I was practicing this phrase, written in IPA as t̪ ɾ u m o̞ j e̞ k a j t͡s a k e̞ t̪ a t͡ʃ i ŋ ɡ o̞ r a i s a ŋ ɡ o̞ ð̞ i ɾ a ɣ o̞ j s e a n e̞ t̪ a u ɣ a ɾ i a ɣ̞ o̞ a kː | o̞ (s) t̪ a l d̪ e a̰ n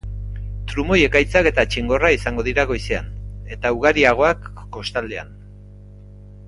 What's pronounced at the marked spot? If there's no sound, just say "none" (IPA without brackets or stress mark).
s